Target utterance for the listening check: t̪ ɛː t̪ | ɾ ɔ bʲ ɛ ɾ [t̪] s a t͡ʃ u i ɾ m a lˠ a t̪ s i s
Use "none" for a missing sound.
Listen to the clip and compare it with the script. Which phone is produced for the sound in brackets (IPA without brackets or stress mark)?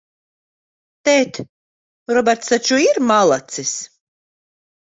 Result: t̪